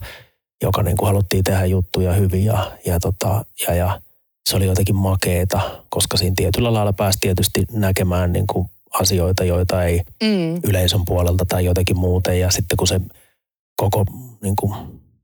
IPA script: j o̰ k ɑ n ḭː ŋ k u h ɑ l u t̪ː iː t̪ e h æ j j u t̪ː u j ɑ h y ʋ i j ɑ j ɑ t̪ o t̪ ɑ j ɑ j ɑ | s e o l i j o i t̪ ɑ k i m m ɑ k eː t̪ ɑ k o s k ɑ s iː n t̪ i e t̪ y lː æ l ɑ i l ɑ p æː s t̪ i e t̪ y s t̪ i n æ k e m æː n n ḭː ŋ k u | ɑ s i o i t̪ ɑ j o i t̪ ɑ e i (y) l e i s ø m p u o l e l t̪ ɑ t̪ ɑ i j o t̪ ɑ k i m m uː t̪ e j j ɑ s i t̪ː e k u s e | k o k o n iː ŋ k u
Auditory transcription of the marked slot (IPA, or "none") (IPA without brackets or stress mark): y